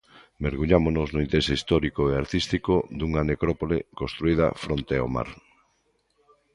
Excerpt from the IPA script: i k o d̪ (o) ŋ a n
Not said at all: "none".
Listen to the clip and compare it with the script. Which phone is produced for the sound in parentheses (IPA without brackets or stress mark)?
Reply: u